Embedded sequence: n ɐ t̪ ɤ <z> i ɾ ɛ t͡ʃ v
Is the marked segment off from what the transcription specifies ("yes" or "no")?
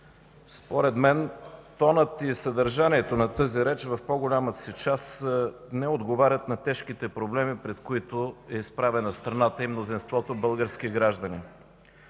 no